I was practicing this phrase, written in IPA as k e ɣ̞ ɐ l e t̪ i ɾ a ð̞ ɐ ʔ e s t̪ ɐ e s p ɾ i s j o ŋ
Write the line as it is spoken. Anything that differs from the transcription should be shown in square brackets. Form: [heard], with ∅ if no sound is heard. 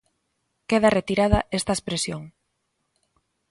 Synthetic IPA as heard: k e [ð̞] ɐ [r] e t̪ i ɾ a ð̞ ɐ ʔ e s t̪ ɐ e s p ɾ [e] s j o ŋ